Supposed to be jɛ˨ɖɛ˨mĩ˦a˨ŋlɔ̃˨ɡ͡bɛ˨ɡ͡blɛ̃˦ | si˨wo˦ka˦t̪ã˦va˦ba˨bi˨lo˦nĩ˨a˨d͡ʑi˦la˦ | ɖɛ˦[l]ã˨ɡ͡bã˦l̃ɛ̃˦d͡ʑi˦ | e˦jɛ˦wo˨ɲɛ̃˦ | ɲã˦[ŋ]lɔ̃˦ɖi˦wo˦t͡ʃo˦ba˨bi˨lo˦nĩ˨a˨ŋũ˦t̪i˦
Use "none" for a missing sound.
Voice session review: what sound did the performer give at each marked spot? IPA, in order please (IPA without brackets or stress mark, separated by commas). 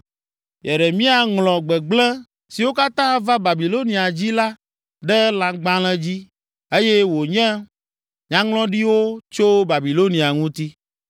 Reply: l, ŋ